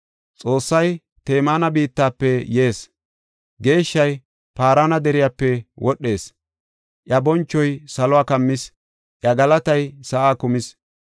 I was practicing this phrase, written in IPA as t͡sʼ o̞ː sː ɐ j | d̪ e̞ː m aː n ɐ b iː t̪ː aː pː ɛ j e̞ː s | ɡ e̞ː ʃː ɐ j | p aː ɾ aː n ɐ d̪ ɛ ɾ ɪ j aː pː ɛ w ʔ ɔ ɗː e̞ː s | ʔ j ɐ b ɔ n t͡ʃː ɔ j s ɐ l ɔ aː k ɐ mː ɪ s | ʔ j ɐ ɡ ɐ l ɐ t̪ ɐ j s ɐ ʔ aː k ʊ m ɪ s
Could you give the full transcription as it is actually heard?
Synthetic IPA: t͡sʼ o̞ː sː ɐ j | t̪ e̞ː m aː n ɐ b iː t̪ː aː pː ɛ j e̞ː s | ɡ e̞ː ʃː ɐ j | p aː ɾ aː n ɐ d̪ ɛ ɾ ɪ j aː pː ɛ w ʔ ɔ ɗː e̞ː s | ʔ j ɐ b ɔ n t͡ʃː ɔ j s ɐ l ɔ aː k ɐ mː ɪ s | ʔ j ɐ ɡ ɐ l ɐ t̪ ɐ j s ɐ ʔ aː k ʊ m ɪ s